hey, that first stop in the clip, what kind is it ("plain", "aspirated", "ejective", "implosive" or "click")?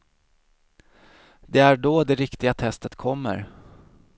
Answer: plain